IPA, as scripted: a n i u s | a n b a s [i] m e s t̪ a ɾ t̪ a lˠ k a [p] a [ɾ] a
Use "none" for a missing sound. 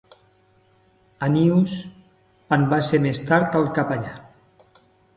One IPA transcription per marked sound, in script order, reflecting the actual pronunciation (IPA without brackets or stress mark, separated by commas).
e, p, ʎ